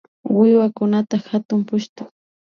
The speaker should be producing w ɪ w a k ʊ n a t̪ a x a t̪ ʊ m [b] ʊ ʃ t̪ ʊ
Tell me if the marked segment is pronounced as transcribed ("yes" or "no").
no